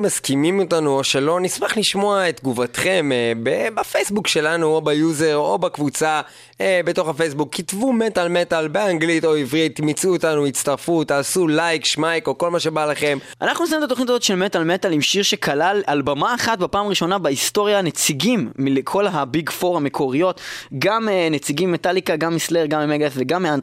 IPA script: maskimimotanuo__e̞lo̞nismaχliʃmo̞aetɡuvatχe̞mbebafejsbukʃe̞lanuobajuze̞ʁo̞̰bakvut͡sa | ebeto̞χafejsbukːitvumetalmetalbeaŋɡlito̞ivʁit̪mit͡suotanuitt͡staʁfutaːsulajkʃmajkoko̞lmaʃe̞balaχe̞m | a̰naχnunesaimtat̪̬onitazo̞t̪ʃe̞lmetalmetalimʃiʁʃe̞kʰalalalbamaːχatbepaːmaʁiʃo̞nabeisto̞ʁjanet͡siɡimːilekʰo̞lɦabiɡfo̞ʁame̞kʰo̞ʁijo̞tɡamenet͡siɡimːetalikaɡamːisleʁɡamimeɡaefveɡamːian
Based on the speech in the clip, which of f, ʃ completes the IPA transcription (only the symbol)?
ʃ